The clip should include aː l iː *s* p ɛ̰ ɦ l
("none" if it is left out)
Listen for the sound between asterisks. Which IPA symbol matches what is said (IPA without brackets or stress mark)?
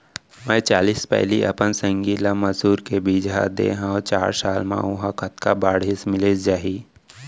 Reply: s